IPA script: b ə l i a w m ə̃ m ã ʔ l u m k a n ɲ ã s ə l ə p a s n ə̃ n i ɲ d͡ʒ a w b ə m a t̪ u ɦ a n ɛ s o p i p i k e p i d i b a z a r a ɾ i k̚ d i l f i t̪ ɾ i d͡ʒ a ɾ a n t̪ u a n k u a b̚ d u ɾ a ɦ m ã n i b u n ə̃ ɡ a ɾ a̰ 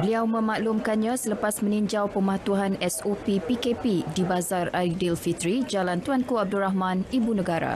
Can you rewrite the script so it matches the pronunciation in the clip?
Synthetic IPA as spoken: b ə l i a w m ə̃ m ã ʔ l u m k a n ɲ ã s ə l ə p a s m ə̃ n i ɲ d͡ʒ a w p ə m a t̪ u ɦ a n ɛ s o p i p i k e p i d i b a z a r a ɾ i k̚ d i l f i t̪ ɾ i d͡ʒ a l a n t̪ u a n k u a b̚ d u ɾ a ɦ m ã n i b u n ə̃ ɡ a ɾ a̰

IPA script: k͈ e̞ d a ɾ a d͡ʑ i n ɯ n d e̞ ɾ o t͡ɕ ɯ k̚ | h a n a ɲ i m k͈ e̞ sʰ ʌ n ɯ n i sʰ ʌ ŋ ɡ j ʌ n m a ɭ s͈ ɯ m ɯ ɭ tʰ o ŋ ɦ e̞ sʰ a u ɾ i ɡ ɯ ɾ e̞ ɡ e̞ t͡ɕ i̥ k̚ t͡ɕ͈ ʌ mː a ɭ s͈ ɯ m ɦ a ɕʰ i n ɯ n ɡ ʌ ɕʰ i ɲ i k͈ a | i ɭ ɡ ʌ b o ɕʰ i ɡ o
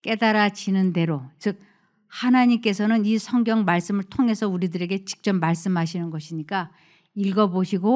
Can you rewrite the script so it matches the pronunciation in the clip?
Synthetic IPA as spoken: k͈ e̞ d a ɾ a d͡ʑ i n ɯ n d e̞ ɾ o t͡ɕ ɯ k̚ | h a n a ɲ i m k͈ e̞ sʰ ʌ n ɯ n i sʰ ʌ ŋ ɡ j ʌ ŋ m a ɭ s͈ ɯ m ɯ ɭ tʰ o ŋ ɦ e̞ sʰ ʌ u ɾ i d ɯ ɾ e̞ ɡ e̞ t͡ɕ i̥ k̚ t͡ɕ͈ ʌ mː a ɭ s͈ ɯ m ɦ a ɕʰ i n ɯ n ɡ ʌ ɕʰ i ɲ i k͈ a | i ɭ ɡ ʌ b o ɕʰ i ɡ o

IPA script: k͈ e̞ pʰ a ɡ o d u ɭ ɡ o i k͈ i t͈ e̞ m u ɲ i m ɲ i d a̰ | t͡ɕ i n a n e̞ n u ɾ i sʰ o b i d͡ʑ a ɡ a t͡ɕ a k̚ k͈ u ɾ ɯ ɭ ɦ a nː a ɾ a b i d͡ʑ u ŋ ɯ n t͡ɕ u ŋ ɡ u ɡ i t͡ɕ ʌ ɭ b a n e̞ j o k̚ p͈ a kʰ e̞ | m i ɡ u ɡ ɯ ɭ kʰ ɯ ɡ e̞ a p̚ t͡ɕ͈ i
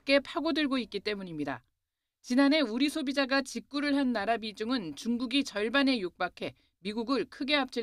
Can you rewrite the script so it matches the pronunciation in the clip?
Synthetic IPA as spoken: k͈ e̞ pʰ a ɡ o d ɯ ɭ ɡ o i k͈ i t͈ e̞ m u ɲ i m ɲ i d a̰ | t͡ɕ i n a n e̞ u ɾ i sʰ o b i d͡ʑ a ɡ a t͡ɕ i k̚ k͈ u ɾ ɯ ɭ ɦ a nː a ɾ a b i d͡ʑ u ŋ ɯ n t͡ɕ u ŋ ɡ u ɡ i t͡ɕ ʌ ɭ b a n e̞ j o k̚ p͈ a kʰ e̞ | m i ɡ u ɡ ɯ ɭ kʰ ɯ ɡ e̞ a p̚ t͡ɕ͈ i

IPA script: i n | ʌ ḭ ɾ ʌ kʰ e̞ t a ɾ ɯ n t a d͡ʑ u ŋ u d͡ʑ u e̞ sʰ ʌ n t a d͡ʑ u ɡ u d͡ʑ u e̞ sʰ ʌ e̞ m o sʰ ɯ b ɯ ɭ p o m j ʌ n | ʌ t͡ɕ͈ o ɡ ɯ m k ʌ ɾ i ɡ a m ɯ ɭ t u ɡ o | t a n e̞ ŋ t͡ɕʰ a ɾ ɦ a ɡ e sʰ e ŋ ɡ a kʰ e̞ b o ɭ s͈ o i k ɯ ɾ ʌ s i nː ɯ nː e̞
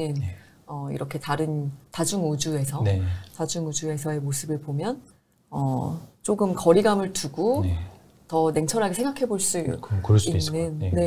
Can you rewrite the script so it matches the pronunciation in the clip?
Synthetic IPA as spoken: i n | ʌ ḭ ɾ ʌ kʰ e̞ t a ɾ ɯ n t a d͡ʑ u ŋ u d͡ʑ u e̞ sʰ ʌ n t a d͡ʑ u ŋ u d͡ʑ u e̞ sʰ ʌ e̞ m o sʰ ɯ b ɯ ɭ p o m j ʌ n | ʌ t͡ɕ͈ o ɡ ɯ m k ʌ ɾ i ɡ a m ɯ ɭ t u ɡ o | t ʌ n e̞ ŋ t͡ɕʰ ʌ ɾ ɦ a ɡ e sʰ e ŋ ɡ a kʰ e̞ b o ɭ s͈ u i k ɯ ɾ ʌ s i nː ɯ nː e̞

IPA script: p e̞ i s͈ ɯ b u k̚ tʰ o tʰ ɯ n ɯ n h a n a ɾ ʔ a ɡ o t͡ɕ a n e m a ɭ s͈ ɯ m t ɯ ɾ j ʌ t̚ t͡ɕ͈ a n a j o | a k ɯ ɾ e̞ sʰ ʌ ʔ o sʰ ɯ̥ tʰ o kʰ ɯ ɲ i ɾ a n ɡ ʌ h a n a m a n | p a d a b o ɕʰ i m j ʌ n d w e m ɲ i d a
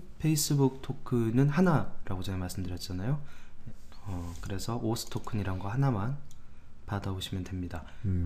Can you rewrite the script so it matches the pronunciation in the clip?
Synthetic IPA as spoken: pʰ e̞ i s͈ ɯ b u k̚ tʰ o kʰ ɯ n ɯ n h a n a ɾ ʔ a ɡ o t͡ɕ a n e m a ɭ s͈ ɯ m d ɯ ɾ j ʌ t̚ t͡ɕ͈ a n a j o | ʌ k ɯ ɾ e̞ sʰ ʌ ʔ o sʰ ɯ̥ tʰ o kʰ ɯ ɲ i ɾ a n ɡ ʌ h a n a m a n | p a d a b o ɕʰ i m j ʌ n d w e m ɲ i d a

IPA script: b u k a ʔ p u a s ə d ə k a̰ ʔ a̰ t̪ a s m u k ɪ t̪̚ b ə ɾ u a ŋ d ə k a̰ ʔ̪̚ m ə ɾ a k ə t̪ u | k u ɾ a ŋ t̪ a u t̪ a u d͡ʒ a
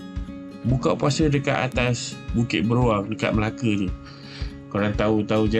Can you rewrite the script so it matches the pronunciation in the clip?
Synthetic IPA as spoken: b u k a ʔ p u a s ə d ə k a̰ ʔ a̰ t̪ a s b u k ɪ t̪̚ b ə ɾ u a ŋ d ə k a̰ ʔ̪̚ m ə l a k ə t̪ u | k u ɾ a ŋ t̪ a u t̪ a u d͡ʒ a

